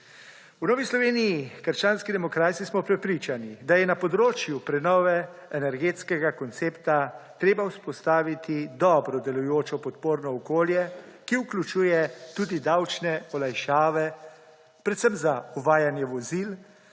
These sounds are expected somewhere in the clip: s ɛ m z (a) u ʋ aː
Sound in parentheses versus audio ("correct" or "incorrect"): correct